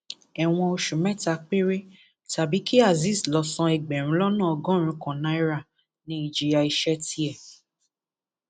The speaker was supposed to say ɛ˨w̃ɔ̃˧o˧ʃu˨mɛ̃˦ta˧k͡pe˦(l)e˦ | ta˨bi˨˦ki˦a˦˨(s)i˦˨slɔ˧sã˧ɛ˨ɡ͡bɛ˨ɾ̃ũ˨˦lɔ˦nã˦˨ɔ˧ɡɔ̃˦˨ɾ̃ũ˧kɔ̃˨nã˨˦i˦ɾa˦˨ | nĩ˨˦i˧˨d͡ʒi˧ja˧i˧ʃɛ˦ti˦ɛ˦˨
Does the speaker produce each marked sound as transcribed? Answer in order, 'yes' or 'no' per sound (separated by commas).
no, no